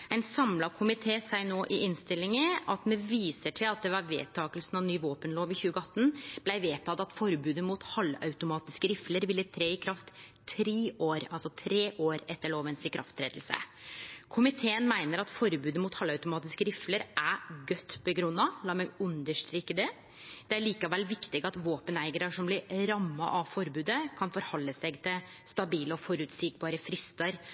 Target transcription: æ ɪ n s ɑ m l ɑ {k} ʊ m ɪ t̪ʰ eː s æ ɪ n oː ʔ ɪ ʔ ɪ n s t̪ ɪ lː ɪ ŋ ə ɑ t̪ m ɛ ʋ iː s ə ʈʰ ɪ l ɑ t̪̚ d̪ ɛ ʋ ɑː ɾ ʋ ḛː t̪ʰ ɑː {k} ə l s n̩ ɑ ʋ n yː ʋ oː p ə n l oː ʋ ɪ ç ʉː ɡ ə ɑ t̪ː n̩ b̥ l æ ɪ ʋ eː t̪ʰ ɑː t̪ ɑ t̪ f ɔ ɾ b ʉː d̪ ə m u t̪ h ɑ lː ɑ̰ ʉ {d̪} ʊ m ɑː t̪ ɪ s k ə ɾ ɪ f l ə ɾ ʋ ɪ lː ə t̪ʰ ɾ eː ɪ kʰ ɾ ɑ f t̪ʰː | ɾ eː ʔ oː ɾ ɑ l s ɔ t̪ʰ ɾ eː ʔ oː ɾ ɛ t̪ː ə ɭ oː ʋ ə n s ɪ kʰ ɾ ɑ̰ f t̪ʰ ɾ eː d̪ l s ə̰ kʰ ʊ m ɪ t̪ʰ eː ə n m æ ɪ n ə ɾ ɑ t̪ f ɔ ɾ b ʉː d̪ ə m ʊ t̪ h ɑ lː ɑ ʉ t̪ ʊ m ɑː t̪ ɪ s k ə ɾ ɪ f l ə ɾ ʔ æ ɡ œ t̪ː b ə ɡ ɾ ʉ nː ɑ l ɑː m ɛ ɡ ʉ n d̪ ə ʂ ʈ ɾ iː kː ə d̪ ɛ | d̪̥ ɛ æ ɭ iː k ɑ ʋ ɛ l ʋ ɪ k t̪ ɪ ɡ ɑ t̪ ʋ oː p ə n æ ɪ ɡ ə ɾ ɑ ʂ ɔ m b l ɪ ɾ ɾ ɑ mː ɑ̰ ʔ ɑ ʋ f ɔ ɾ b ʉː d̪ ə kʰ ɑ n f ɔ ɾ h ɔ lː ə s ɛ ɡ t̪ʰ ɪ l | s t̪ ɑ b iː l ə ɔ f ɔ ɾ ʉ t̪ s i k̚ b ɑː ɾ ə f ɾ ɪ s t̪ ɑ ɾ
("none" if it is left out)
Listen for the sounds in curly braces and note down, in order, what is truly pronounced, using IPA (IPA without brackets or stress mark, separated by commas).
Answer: kʰ, k, t̪